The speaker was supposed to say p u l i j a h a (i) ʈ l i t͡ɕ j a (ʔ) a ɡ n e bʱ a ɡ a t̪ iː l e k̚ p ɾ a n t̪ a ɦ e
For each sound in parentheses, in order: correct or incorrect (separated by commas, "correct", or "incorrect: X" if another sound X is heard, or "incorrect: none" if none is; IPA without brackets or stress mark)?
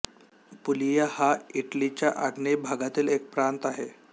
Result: correct, correct